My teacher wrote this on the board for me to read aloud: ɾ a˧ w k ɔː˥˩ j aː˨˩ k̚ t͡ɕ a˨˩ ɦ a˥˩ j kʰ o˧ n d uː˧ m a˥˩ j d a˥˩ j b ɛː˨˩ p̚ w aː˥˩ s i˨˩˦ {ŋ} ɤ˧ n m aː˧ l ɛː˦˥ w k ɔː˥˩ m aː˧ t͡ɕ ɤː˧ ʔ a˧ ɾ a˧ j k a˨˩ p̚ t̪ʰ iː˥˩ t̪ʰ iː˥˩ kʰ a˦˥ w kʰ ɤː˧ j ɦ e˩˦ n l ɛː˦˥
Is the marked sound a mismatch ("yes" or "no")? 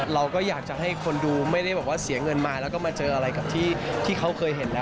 no